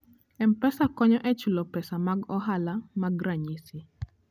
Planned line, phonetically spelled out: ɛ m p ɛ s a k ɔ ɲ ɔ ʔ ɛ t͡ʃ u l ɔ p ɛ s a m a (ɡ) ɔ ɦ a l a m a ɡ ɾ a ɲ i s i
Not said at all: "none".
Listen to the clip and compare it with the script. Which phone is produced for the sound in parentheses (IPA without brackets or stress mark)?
ɡ